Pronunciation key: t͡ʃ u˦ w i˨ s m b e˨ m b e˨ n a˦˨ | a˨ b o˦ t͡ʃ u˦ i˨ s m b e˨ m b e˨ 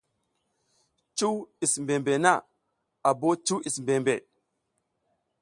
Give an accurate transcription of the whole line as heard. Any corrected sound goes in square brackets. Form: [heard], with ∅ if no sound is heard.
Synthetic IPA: t͡ʃ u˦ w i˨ s m b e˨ m b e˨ n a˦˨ | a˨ b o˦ t͡ʃ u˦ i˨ s m b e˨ m b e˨